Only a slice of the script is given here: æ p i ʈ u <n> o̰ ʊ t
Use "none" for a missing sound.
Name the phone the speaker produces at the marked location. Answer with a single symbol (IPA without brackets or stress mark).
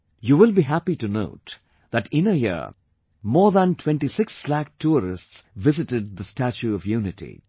n